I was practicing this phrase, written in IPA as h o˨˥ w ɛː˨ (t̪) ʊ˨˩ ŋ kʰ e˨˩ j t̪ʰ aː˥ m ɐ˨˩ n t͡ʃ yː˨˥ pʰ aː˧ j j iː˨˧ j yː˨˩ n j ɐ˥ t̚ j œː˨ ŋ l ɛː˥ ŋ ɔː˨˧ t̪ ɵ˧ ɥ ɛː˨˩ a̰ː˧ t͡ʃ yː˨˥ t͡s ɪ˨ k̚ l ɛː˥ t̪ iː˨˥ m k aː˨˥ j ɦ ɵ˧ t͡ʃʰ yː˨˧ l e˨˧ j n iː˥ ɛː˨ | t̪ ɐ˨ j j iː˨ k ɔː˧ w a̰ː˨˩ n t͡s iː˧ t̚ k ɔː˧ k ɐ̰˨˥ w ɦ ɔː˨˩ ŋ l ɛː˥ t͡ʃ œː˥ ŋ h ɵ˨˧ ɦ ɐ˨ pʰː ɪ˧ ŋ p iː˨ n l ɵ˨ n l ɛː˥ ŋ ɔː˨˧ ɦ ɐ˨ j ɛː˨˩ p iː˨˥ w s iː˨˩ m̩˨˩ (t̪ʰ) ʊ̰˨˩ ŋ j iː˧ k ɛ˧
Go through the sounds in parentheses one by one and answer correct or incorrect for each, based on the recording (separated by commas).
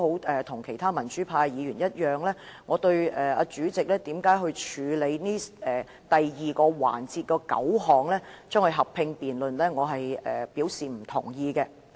incorrect, correct